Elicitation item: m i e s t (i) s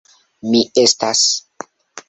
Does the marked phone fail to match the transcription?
yes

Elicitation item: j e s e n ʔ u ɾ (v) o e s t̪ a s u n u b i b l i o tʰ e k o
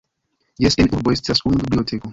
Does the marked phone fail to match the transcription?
yes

